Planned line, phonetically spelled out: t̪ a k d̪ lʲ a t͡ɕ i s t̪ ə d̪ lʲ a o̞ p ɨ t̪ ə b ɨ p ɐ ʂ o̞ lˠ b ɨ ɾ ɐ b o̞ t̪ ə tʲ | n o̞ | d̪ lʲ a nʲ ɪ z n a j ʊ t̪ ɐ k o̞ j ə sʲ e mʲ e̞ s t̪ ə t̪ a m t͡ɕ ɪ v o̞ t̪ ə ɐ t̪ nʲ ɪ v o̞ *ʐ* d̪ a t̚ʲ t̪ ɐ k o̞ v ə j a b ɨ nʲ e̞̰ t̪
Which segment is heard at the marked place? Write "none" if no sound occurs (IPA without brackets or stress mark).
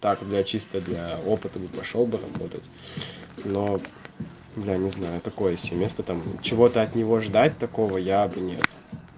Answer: ʐ